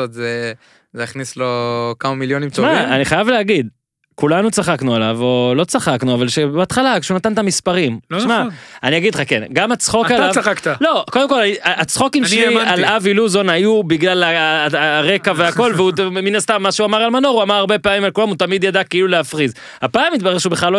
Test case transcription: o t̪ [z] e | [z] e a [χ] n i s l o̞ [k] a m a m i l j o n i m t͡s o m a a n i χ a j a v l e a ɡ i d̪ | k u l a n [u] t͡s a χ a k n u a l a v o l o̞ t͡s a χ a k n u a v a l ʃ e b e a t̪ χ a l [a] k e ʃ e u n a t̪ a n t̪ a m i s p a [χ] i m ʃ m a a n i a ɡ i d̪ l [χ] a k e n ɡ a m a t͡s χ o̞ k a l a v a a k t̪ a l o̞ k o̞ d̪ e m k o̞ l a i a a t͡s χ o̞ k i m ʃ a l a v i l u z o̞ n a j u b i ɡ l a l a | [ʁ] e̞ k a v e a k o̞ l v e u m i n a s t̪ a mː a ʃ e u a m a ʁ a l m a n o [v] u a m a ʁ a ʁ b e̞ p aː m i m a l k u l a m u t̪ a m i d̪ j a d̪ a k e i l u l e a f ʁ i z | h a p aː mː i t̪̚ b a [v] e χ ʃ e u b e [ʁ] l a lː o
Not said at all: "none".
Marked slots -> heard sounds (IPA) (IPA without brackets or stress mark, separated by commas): z, z, χ, k, u, a, ʁ, χ, ʁ, ʁ, ʁ, χ